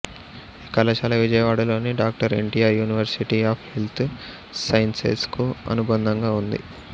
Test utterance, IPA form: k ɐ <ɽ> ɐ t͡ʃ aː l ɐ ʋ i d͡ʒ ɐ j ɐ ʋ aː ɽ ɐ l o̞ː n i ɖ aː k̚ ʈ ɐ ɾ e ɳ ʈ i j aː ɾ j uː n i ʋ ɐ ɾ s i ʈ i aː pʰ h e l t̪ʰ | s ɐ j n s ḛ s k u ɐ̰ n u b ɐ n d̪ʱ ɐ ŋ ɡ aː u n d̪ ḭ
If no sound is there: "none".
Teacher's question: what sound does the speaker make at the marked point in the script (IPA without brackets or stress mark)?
l